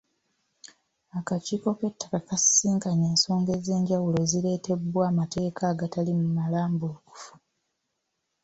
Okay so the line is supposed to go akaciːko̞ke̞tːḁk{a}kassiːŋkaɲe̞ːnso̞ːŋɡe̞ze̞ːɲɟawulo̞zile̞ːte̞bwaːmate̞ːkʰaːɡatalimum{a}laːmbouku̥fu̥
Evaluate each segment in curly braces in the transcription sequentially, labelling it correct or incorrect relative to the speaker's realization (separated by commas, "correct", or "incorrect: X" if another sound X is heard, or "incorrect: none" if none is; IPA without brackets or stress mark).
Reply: correct, correct